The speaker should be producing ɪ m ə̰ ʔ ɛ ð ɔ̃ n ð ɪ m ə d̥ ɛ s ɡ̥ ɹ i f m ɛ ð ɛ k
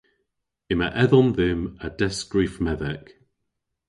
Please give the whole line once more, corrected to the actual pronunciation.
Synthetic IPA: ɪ m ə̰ ʔ ɛ ð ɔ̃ n ð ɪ m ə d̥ ɛ s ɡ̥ ɹ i f m ɛ ð ɛ k

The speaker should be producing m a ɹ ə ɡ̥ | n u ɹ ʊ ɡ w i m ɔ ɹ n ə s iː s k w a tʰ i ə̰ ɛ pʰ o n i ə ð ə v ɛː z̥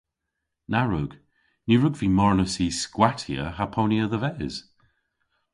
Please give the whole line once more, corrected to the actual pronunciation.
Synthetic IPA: n a ɹ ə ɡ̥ | n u ɹ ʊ ɡ v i m ɔ ɹ n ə s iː s k w a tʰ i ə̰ a pʰ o n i ə ð ə v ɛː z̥

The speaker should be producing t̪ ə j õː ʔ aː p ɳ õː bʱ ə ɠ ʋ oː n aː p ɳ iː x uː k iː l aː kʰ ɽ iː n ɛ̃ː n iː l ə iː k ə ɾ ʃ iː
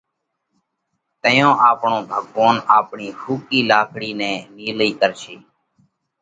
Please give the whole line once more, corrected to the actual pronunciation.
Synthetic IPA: t̪ ə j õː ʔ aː p ɳ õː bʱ ə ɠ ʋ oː n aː p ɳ iː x uː k iː l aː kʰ ɽ iː n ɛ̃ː n iː l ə iː k ə ɾ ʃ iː

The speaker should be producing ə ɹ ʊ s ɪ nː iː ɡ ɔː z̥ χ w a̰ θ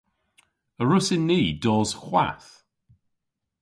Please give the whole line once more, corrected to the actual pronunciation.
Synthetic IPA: ə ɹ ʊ s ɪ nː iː d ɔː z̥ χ w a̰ θ

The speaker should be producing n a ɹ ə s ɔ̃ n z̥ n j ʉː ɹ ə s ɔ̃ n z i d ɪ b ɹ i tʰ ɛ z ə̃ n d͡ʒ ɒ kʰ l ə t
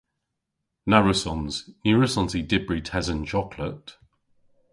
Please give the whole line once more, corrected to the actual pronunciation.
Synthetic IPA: n a ɹ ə s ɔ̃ n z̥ n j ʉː ɹ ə s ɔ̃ n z i d ɪ b ɹ i tʰ ɛ z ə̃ n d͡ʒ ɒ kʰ l ə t

